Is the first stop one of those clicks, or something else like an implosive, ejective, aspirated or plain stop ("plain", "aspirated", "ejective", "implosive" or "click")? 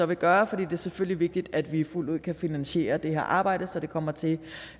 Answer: plain